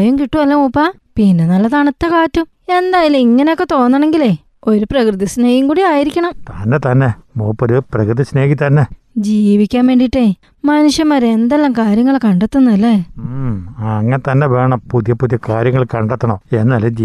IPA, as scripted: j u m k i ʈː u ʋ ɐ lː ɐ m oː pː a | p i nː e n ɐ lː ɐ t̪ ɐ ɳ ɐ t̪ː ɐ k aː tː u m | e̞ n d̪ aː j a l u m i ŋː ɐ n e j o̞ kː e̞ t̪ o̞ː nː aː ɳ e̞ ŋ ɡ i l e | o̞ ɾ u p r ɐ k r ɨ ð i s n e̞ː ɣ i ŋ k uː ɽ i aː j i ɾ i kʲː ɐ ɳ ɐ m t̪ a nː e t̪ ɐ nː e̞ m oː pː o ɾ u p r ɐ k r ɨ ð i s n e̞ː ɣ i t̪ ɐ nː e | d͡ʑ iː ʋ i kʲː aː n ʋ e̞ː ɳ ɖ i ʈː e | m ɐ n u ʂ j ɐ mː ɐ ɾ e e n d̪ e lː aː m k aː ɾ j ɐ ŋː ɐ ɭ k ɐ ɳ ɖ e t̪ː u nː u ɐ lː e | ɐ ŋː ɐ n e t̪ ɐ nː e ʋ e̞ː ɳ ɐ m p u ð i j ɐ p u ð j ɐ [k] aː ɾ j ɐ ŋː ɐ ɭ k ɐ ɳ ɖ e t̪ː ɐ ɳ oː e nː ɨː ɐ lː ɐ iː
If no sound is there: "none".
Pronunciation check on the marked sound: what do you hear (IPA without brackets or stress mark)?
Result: k